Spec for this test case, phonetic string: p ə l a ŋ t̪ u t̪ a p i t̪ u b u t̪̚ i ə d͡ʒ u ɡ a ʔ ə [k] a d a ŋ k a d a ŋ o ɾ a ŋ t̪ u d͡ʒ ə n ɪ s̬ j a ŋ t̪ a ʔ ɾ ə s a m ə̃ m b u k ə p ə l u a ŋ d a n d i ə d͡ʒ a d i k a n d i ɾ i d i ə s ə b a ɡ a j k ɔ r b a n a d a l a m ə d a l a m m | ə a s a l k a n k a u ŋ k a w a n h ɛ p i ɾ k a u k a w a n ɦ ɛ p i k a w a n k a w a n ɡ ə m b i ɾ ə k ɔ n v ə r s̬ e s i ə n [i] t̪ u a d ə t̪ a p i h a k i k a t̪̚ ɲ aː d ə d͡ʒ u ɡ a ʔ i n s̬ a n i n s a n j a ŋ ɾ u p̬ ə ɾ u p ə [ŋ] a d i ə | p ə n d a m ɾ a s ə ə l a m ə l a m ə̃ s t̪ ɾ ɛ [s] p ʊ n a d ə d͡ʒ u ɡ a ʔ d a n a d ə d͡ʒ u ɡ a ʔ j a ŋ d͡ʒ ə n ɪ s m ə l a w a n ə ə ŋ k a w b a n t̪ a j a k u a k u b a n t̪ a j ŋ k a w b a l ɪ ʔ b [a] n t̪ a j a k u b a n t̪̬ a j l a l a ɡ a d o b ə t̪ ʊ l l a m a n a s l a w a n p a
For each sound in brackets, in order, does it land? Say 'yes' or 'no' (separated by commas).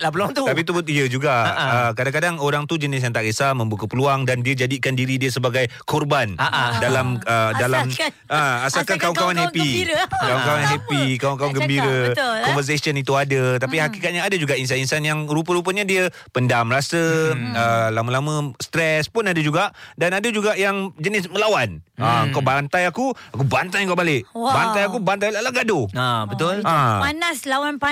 yes, yes, no, yes, yes